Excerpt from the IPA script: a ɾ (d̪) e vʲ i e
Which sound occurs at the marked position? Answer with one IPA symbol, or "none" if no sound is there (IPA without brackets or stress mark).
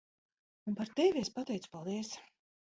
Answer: t̪